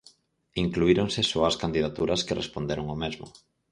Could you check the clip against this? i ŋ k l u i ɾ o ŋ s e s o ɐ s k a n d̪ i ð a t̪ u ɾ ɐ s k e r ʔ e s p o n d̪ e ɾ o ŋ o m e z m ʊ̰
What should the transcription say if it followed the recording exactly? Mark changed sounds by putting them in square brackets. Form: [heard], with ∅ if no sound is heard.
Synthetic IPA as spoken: i ŋ k l u i ɾ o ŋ s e s o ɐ s k a n d̪ i ð a t̪ u ɾ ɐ s k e r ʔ e s p o n d̪ e ɾ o ŋ o m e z m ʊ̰